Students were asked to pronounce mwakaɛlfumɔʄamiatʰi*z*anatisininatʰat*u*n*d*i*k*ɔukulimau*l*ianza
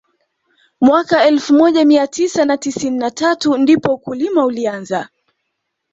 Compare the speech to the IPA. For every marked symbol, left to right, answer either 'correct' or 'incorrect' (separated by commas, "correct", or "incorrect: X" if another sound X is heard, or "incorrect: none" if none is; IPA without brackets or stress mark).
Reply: incorrect: s, correct, correct, incorrect: p, correct